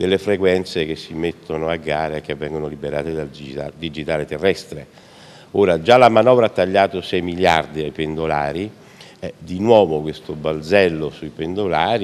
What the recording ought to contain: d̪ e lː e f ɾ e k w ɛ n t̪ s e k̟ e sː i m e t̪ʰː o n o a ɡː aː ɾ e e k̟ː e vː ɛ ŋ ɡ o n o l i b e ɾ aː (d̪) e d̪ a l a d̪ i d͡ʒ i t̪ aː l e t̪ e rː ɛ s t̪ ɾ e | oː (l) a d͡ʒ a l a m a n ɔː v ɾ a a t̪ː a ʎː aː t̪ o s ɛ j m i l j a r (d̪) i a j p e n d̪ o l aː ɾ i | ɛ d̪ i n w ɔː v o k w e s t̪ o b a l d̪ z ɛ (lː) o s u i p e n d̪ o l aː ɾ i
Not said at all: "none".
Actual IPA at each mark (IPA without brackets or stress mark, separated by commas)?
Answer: t̪, ɾ, d̪, lː